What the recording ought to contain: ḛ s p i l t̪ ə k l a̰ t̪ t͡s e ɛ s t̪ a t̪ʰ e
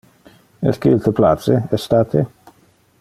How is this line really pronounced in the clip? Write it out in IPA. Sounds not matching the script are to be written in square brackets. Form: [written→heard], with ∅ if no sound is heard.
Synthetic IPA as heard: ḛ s [p→k] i l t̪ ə [k→p] l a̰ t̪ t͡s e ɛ s t̪ a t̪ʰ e